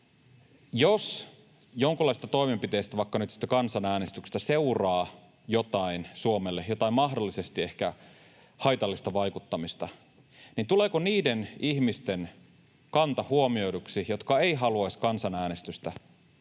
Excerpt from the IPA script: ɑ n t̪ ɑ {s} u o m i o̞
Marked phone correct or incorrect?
incorrect: h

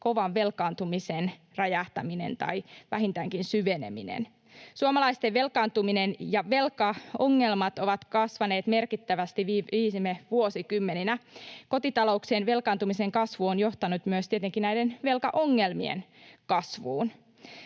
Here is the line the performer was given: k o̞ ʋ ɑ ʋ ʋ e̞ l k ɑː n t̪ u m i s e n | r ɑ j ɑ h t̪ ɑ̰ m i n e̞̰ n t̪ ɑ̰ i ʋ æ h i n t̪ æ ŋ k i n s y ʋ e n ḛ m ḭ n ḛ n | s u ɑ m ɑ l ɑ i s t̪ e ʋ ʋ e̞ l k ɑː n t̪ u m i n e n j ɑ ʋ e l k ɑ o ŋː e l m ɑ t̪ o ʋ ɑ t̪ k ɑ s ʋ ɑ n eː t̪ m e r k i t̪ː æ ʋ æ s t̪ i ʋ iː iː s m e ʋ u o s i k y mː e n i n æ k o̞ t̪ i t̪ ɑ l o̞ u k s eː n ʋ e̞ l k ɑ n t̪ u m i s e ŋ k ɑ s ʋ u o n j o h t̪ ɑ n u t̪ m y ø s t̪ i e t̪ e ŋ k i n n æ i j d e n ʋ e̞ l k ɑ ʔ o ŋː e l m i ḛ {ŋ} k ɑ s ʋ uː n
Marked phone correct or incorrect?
incorrect: n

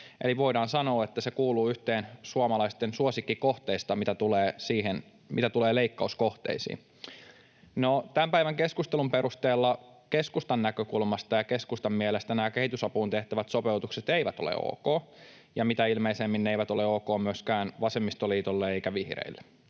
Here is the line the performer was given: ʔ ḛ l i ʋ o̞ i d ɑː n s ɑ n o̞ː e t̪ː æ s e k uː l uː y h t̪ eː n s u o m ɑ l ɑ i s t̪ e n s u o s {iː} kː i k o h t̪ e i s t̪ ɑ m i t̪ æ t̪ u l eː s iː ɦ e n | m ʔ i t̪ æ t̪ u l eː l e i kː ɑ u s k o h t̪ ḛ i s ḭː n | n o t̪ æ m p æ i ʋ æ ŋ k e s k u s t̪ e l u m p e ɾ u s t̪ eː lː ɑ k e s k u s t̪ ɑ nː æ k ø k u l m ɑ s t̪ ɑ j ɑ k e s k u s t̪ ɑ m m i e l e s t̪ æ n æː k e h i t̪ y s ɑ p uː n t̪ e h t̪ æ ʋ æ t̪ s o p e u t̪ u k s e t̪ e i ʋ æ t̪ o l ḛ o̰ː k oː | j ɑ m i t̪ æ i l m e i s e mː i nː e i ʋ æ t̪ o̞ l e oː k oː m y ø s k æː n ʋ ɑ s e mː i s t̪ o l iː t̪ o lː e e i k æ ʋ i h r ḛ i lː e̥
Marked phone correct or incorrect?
incorrect: i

